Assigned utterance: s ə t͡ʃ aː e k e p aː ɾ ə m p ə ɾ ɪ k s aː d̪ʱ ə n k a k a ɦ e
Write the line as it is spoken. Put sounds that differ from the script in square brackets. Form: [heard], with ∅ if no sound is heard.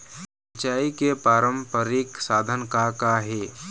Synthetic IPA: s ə t͡ʃ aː [i] k e p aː ɾ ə m p ə ɾ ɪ k s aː d̪ʱ ə n k a k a ɦ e